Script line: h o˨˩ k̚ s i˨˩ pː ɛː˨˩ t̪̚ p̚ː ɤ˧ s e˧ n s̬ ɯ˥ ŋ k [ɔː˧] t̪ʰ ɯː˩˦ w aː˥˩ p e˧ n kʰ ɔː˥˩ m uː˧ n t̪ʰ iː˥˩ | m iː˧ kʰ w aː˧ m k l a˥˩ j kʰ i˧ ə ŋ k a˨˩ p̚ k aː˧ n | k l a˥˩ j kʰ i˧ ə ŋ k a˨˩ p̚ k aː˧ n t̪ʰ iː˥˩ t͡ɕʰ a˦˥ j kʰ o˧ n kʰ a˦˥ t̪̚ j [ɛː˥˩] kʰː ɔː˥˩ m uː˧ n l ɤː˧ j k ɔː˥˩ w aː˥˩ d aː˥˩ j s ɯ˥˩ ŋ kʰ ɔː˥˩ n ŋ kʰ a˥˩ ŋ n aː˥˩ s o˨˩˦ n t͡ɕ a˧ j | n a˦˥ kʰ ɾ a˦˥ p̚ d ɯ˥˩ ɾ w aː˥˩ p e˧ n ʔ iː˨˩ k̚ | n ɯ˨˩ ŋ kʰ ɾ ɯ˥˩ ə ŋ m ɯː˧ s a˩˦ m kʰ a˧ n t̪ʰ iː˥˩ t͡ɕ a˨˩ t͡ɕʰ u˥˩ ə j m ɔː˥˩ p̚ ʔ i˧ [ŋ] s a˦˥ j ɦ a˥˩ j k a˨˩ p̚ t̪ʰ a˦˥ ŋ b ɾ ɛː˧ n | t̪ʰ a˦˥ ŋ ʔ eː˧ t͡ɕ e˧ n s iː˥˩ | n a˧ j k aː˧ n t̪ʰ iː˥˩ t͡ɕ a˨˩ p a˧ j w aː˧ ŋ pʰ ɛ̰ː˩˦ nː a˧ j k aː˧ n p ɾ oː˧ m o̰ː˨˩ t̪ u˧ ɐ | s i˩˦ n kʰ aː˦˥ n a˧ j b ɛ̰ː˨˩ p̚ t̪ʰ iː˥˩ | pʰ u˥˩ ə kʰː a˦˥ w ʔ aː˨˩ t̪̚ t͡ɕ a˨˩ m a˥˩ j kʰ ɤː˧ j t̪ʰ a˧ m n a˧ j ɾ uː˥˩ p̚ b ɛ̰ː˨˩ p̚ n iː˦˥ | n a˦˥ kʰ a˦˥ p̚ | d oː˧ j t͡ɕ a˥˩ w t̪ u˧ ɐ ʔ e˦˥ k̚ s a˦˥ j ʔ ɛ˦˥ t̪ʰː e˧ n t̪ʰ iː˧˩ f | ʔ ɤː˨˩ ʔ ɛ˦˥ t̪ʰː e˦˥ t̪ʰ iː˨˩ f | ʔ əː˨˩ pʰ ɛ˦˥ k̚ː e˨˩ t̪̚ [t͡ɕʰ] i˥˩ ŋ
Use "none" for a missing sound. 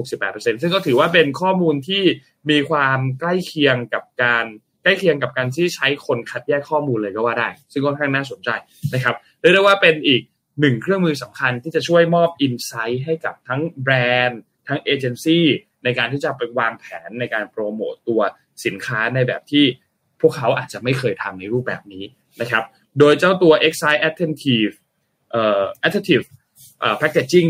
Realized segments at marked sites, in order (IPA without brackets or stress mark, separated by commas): ɔː˥˩, ɛː˥˩, n, t͡ɕ